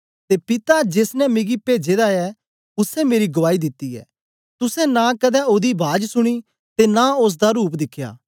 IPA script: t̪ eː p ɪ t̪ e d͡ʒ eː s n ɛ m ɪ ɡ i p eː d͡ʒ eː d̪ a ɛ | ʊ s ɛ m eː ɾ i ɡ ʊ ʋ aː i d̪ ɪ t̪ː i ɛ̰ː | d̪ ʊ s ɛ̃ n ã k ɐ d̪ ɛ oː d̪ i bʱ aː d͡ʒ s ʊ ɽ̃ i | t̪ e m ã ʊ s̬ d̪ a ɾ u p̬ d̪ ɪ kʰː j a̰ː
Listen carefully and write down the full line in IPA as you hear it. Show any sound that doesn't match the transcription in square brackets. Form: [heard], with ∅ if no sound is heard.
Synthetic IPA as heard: t̪ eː p ɪ t̪ [a] d͡ʒ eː s n ɛ m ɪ ɡ i p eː d͡ʒ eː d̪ a ɛ | ʊ s ɛ m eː ɾ i ɡ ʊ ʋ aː i d̪ ɪ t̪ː i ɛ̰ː | [t̪] ʊ s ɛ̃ n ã k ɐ d̪ ɛ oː d̪ i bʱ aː d͡ʒ s ʊ ɽ̃ i | t̪ e [n] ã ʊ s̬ d̪ a ɾ [uː] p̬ d̪ ɪ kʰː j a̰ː